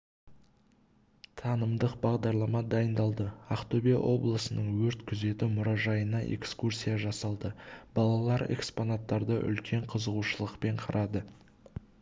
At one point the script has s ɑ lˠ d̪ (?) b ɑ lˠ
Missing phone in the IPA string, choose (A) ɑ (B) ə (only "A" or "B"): B